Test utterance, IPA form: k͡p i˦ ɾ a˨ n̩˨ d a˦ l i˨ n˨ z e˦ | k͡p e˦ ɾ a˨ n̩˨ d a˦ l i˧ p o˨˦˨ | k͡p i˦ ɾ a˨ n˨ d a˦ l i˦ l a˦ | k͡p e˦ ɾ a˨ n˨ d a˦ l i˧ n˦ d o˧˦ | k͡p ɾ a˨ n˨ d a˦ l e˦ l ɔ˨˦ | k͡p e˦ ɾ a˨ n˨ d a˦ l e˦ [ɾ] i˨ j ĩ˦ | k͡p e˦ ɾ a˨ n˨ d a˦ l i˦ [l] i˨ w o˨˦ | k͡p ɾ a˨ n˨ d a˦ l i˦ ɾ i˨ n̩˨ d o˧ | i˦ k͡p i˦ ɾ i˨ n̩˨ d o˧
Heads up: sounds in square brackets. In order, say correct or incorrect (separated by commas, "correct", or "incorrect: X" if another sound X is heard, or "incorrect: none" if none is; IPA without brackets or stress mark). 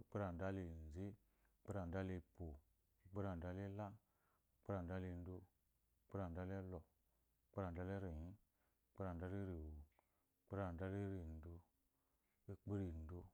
correct, incorrect: ɾ